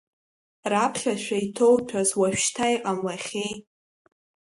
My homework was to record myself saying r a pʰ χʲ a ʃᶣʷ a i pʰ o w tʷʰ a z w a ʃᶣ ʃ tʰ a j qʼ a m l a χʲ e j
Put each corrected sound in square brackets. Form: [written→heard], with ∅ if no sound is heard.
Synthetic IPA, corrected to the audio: r a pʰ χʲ a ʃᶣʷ a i [pʰ→tʰ] o w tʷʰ a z w a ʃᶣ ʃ tʰ a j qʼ a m l a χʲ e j